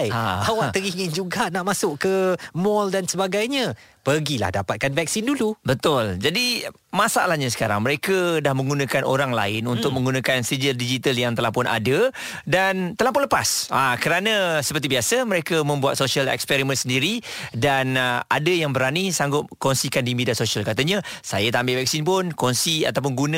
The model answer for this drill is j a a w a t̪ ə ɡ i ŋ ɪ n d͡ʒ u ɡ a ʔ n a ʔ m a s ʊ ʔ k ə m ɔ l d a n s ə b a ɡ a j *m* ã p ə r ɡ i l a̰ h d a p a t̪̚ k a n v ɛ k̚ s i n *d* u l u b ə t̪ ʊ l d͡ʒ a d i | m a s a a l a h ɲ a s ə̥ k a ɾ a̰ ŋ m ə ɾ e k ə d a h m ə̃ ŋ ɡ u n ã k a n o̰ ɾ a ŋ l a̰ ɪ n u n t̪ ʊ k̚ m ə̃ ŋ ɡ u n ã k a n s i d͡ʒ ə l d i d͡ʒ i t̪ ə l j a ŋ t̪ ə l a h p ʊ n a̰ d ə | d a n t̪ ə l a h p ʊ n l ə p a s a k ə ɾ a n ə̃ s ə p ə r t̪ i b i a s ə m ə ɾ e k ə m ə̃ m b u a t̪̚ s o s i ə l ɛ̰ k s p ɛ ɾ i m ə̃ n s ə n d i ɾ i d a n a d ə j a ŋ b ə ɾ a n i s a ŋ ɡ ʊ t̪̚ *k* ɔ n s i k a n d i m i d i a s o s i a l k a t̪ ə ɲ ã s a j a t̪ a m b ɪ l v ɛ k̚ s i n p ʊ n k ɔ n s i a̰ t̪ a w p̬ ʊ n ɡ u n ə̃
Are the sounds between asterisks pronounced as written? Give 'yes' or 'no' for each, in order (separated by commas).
no, yes, yes